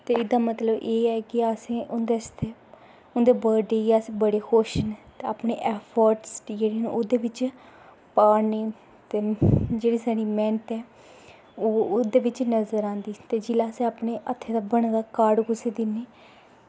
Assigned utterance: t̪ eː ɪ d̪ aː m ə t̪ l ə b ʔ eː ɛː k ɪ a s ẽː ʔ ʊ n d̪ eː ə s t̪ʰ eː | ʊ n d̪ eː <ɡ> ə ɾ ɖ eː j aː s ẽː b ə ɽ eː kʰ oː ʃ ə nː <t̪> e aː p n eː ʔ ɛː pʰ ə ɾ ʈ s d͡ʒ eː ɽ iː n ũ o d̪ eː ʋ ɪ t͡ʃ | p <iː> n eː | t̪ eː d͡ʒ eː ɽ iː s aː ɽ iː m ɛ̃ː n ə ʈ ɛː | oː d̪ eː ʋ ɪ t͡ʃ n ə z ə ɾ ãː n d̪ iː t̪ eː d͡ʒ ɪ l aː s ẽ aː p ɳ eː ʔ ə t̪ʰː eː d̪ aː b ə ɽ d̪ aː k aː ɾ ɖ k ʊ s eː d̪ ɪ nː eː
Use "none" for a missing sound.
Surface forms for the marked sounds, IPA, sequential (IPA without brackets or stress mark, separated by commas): b, t̪, aː